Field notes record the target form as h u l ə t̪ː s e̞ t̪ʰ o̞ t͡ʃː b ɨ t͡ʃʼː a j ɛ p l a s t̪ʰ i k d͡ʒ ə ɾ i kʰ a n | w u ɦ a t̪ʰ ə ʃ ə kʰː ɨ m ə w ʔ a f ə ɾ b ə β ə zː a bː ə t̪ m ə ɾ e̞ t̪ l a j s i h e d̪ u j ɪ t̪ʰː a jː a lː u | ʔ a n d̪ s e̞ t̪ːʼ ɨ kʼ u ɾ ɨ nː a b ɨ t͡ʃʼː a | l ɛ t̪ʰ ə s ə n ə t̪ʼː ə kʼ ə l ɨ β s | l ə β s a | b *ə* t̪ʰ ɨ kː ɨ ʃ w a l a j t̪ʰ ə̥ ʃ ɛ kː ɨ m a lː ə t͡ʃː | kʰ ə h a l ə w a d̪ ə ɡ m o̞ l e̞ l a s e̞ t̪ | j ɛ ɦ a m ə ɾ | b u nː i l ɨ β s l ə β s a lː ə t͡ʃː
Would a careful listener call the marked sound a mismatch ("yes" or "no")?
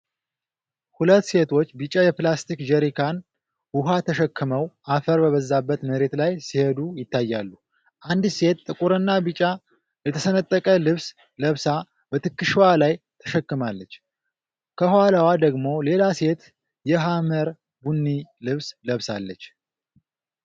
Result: no